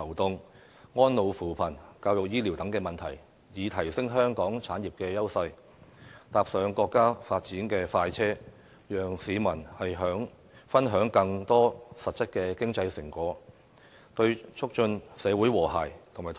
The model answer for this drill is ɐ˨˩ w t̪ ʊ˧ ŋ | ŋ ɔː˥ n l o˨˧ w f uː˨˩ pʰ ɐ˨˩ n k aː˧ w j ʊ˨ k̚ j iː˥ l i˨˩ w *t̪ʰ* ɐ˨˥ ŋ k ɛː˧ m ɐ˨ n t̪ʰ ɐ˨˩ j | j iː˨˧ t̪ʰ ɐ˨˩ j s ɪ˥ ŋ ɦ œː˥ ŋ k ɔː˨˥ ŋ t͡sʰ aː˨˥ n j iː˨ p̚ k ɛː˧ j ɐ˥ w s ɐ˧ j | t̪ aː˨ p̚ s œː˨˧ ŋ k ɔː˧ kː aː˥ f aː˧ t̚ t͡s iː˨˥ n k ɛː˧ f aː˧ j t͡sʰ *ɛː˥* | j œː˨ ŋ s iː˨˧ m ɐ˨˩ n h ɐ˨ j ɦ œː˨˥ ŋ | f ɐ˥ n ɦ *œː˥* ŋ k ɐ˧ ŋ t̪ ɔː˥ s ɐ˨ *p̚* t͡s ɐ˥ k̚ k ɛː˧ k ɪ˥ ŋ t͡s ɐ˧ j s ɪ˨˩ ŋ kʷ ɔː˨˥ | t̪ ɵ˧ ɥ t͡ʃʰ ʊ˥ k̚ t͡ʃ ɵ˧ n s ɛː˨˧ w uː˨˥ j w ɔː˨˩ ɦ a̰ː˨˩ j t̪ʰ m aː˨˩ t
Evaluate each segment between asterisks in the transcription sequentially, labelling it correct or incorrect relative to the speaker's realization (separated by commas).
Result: incorrect, correct, incorrect, incorrect